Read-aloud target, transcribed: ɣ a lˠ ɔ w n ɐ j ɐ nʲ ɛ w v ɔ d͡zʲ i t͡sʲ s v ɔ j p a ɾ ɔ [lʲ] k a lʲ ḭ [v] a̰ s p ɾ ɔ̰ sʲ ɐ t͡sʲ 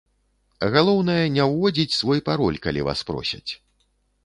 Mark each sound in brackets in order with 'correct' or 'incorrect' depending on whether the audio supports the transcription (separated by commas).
correct, correct